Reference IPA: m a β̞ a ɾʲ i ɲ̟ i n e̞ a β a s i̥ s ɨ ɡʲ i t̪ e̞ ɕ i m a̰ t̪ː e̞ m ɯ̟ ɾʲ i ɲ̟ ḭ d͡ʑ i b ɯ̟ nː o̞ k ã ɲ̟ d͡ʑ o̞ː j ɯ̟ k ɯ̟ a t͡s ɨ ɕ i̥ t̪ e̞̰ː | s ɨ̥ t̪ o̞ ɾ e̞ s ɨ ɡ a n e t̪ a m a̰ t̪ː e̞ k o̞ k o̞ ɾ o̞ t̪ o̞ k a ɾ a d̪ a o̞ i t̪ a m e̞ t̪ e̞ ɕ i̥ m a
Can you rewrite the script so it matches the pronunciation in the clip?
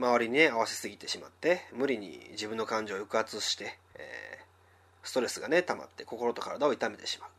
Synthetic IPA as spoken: m a β̞ a ɾʲ i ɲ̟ i n e̞ a β a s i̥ s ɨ ɡʲ i t̪ e̞ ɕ i m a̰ t̪ː e̞ m ɯ̟ ɾʲ i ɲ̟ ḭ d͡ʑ i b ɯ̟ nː o̞ k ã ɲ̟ d͡ʑ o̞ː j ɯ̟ k ɯ̟ a t͡s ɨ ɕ i̥ t̪ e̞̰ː | s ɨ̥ t̪ o̞ ɾ e̞ s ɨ ɡ a n e t̪ a m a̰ t̪ː e̞ k o̞ k o̞ ɾ o̞ t̪ o̞ k a ɾ a d̪ a o̞ i t̪ a m e̞ t̪ e̞ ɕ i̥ m a